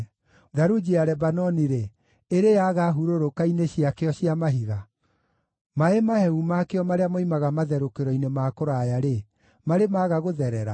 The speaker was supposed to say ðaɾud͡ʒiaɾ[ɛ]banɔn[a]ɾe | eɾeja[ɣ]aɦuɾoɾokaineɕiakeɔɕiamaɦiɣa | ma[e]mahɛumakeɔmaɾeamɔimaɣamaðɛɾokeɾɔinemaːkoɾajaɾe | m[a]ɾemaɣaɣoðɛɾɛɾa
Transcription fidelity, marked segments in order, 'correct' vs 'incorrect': correct, incorrect, correct, correct, correct

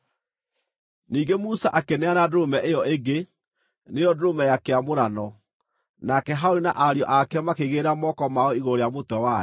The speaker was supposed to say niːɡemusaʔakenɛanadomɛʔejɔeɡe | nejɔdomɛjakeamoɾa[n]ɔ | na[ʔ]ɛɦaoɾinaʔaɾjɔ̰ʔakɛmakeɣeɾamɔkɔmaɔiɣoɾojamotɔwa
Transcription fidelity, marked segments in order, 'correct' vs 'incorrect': correct, incorrect

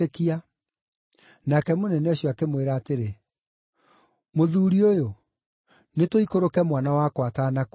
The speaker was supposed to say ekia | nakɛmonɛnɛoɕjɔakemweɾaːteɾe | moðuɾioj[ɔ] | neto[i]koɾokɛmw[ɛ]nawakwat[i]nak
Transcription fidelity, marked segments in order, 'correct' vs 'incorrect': incorrect, correct, incorrect, incorrect

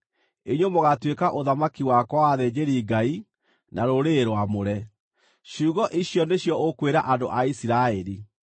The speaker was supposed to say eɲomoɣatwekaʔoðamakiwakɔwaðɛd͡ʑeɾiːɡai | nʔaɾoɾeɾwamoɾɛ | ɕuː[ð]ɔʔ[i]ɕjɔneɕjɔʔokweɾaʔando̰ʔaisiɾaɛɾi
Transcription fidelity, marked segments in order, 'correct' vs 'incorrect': incorrect, correct

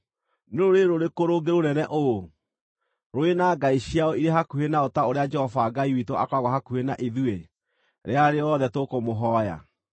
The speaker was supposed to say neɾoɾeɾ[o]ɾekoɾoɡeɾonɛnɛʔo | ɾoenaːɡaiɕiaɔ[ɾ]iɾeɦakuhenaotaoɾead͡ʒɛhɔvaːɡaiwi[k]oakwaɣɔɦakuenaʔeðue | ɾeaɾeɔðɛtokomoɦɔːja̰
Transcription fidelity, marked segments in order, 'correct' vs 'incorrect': correct, incorrect, incorrect

